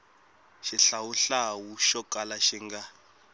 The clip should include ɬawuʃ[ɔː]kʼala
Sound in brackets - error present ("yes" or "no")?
yes